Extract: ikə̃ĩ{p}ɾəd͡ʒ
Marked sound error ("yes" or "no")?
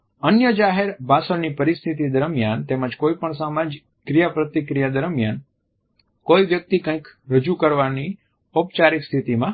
yes